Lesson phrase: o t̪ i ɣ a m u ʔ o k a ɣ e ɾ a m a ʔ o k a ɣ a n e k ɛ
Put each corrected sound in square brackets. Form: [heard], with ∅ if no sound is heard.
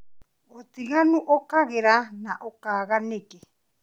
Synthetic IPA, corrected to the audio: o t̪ i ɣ a [n] u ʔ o k a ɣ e ɾ a [n] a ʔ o k a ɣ a n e k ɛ